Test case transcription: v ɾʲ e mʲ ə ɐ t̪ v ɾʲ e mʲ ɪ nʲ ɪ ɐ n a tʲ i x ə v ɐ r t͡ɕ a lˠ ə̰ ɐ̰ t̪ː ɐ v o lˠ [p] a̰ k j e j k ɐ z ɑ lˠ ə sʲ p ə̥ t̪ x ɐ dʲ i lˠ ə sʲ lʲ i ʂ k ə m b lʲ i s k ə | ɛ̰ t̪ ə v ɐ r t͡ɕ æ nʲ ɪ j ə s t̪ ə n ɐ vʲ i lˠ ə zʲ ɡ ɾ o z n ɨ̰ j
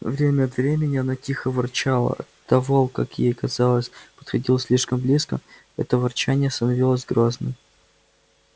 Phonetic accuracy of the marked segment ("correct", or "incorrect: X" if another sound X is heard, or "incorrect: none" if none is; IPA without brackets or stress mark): incorrect: k